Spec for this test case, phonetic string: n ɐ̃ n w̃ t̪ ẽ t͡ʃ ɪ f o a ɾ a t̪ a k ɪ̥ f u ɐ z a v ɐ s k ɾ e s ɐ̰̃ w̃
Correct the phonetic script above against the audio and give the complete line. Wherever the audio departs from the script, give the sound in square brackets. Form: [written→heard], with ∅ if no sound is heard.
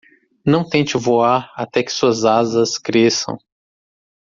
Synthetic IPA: n ɐ̃ [n→∅] w̃ t̪ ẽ t͡ʃ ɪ [f→v] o a ɾ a t̪ [a→ɛ] k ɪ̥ [f→s] u ɐ z a [v→z] ɐ s k ɾ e s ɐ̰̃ w̃